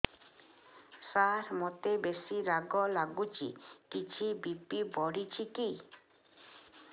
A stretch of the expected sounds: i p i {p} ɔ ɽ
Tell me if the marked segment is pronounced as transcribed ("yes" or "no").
no